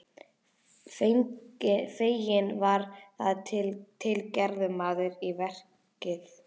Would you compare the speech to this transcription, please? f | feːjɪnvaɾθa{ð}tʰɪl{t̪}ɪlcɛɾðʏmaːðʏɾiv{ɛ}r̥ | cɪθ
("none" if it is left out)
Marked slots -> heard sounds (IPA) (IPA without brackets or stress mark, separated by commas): ð, t̪ʰ, ɛ